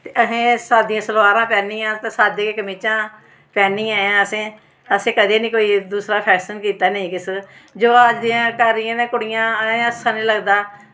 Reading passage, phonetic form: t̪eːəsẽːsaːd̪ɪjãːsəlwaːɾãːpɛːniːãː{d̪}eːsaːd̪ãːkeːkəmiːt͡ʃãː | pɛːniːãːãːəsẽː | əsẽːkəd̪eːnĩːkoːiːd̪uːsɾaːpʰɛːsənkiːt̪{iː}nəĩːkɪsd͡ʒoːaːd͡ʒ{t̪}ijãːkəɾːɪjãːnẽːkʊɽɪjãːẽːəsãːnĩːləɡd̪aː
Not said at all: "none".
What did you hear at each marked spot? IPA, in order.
t̪, aː, d̪

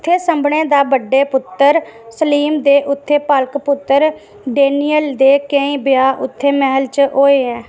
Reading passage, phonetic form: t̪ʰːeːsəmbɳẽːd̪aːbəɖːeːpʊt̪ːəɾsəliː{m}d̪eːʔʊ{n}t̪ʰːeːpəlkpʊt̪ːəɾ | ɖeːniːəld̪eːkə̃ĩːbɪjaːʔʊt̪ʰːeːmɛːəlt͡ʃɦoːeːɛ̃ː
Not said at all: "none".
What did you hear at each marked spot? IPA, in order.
m, none

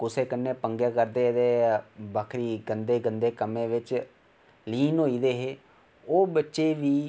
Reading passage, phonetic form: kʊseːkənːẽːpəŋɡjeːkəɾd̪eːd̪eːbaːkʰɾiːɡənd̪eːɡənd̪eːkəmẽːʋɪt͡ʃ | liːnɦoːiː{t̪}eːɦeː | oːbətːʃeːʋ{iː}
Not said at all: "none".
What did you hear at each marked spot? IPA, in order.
d̪, iː

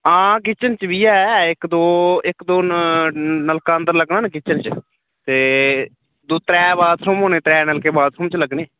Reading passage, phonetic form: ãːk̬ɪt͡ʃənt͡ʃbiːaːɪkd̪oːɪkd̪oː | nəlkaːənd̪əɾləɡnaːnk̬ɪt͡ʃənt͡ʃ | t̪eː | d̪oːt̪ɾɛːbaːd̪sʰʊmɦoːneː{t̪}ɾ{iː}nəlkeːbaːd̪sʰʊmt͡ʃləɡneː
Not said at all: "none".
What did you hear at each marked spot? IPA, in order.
t̪, ɛː

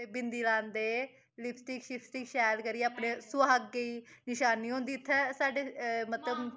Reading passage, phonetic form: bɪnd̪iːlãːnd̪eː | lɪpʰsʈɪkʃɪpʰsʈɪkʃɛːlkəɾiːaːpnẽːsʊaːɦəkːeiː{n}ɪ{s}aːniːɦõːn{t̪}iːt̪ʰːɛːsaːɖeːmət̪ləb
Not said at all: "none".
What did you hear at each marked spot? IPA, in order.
n, ʃ, d̪

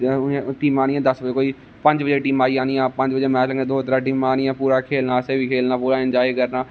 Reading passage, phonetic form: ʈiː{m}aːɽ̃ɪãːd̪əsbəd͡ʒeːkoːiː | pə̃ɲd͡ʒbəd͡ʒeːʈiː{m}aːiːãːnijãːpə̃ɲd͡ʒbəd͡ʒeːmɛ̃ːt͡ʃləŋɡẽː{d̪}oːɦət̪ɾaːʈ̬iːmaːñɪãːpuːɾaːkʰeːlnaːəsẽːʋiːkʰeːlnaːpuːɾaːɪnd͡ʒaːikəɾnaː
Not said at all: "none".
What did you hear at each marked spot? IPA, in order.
m, m, d̪

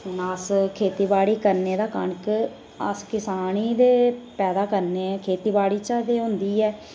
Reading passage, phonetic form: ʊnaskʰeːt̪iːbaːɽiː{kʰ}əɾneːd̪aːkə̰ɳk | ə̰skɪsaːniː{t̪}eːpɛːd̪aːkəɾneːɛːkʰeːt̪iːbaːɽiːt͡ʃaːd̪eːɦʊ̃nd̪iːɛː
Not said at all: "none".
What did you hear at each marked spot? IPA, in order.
k, d̪

